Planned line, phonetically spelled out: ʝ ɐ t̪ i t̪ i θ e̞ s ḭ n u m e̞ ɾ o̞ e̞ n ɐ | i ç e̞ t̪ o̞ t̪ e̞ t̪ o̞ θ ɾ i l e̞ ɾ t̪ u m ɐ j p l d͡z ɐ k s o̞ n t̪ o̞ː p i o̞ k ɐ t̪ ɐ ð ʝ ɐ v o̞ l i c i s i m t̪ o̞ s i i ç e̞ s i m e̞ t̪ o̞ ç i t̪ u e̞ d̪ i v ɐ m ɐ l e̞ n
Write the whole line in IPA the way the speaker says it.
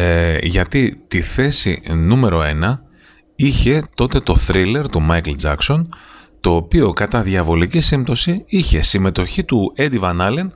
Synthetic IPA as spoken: ʝ ɐ t̪ i t̪ i θ e̞ s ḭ n u m e̞ ɾ o̞ e̞ n ɐ | i ç e̞ t̪ o̞ t̪ e̞ t̪ o̞ θ ɾ i l e̞ ɾ t̪ u m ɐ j k l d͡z ɐ k s o̞ n t̪ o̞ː p i o̞ k ɐ t̪ ɐ ð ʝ ɐ v o̞ l i c i s i m t̪ o̞ s i i ç e̞ s i m e̞ t̪ o̞ ç i t̪ u e̞ d̪ i v ɐ n ɐ l e̞ n